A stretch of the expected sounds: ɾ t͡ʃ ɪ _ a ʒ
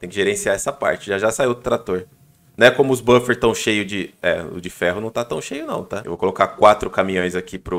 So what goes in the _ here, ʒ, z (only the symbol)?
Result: ʒ